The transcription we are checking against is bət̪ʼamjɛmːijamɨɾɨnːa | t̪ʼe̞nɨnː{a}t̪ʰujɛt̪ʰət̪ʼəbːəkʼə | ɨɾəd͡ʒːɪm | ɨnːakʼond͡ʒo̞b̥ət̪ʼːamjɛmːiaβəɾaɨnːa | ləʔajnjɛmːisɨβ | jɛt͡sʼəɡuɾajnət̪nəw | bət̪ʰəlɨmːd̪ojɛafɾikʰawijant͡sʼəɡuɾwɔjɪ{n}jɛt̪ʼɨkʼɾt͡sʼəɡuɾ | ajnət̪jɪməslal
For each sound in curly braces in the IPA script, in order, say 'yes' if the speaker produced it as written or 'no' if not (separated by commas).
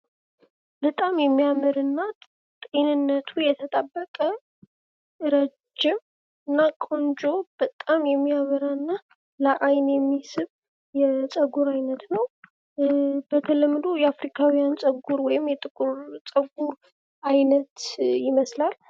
no, no